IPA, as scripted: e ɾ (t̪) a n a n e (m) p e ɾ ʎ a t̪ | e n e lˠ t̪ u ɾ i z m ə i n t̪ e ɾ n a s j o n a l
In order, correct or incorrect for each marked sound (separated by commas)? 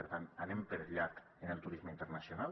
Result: correct, correct